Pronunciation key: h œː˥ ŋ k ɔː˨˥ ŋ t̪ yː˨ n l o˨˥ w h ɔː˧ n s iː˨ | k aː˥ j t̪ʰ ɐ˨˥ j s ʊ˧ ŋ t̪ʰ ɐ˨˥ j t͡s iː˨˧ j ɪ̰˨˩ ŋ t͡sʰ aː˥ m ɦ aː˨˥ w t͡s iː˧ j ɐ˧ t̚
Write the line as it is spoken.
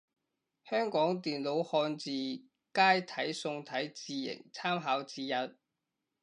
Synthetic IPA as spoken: h œː˥ ŋ k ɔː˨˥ ŋ t̪ iː˨ n l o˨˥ w h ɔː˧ n t͡s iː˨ | k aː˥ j t̪ʰ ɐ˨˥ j s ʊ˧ ŋ t̪ʰ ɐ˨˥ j t͡s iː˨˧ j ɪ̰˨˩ ŋ t͡sʰ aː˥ m ɦ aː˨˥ w t͡s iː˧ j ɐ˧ t̚